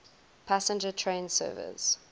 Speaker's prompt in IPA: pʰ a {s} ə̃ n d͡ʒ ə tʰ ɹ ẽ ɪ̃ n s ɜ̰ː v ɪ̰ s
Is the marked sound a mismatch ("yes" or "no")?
no